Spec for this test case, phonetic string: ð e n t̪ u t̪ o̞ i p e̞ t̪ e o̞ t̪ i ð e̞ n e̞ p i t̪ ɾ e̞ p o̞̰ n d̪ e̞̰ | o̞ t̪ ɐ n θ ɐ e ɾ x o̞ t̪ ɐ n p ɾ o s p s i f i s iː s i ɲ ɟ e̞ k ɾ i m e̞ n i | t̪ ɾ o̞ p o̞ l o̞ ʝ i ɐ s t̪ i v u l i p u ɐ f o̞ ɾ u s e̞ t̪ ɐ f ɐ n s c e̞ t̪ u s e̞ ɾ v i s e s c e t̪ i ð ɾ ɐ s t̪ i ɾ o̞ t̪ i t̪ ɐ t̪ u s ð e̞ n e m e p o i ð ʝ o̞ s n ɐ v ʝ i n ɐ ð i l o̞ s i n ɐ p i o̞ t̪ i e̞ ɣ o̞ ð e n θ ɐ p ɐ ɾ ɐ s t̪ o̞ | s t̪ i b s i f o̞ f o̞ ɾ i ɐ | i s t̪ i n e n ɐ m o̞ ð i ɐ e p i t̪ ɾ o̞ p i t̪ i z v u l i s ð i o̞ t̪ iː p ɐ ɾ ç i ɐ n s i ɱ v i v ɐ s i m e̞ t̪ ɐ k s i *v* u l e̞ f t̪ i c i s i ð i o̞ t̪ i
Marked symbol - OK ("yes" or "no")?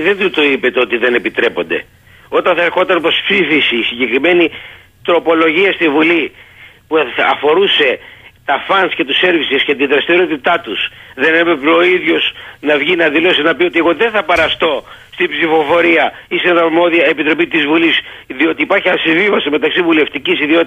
yes